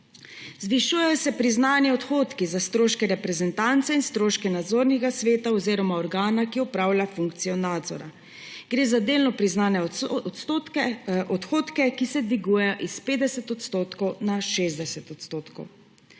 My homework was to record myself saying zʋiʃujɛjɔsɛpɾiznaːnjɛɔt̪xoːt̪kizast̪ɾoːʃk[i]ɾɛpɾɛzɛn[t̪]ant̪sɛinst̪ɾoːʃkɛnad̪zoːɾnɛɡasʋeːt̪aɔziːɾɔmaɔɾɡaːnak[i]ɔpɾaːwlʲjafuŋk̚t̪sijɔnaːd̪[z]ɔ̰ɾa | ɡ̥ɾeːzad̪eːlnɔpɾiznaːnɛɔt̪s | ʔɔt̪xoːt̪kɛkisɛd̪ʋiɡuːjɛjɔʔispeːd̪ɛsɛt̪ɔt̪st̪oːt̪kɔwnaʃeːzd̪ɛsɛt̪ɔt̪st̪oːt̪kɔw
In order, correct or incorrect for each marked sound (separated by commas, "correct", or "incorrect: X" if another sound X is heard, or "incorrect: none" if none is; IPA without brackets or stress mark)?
incorrect: ɛ, correct, correct, correct